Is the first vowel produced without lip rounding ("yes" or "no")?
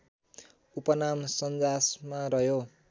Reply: no